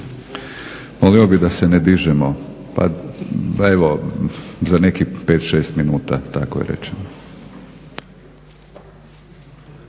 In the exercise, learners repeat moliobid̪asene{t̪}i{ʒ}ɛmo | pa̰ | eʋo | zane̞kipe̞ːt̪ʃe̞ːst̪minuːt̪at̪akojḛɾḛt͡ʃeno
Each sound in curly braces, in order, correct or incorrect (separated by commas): incorrect, correct